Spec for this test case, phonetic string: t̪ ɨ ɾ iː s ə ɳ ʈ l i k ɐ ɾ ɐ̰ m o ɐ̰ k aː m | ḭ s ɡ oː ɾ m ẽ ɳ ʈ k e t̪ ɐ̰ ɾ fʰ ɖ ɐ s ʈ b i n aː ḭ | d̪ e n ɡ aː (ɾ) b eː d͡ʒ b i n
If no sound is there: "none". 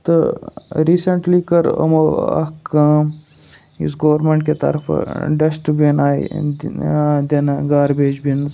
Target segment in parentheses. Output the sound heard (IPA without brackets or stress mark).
ɾ